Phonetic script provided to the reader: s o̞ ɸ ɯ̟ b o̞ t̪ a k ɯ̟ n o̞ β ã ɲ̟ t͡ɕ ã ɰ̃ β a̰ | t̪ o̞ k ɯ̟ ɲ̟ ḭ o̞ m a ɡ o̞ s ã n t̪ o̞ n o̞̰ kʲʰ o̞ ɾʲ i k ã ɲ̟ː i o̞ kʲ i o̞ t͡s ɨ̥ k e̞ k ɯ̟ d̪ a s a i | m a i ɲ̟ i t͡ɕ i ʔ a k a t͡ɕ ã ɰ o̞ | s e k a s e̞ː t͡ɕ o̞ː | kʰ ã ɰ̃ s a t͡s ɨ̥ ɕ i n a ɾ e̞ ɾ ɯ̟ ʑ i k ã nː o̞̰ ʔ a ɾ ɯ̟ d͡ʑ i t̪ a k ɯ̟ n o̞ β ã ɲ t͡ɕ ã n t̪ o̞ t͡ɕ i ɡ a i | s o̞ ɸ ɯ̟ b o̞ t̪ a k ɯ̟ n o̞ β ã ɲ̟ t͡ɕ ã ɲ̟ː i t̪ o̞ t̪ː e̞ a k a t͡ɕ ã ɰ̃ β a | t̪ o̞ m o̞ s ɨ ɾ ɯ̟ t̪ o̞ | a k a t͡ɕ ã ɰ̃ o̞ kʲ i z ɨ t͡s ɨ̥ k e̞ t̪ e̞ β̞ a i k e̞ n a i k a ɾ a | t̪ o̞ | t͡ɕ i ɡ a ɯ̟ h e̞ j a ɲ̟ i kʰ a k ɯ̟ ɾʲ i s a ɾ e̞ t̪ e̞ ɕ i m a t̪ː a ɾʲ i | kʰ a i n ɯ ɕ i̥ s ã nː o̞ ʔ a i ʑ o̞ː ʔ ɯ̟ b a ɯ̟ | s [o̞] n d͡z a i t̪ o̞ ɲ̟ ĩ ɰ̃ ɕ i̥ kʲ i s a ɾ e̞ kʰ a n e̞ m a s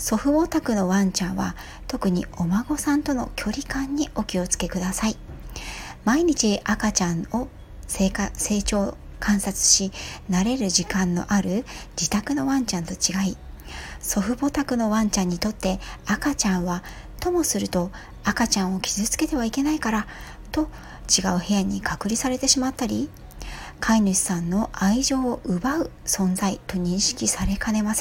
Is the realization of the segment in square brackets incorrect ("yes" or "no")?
yes